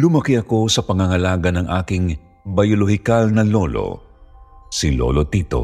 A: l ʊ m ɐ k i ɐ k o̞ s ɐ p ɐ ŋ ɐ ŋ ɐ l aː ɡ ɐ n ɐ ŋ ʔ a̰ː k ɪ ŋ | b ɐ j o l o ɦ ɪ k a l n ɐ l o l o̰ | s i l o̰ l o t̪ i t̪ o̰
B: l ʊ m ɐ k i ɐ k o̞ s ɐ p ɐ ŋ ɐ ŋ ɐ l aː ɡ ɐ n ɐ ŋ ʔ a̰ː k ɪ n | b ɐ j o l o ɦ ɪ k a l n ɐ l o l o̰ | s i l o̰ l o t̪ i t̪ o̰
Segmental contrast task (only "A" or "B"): A